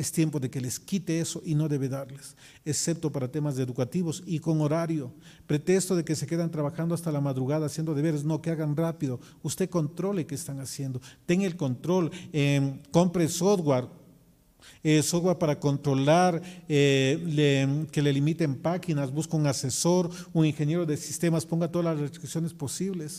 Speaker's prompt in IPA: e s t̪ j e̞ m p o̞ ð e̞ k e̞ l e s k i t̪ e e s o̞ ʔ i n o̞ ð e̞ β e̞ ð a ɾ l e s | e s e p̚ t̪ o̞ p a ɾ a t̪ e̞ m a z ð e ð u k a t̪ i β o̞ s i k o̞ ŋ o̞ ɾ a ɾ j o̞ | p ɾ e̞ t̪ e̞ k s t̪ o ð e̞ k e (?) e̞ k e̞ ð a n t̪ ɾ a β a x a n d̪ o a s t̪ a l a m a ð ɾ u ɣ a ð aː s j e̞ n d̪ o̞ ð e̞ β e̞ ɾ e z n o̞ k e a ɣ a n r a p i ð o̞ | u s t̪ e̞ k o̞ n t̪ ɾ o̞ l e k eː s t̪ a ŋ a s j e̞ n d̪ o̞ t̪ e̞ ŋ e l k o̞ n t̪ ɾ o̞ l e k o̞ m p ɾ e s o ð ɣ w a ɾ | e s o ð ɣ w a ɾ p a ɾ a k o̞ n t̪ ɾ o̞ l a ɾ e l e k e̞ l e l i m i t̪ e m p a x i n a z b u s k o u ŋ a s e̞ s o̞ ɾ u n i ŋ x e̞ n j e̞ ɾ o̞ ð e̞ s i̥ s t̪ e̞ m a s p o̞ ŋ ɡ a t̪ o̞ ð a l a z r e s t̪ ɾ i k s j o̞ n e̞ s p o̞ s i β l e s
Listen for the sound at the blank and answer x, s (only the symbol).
s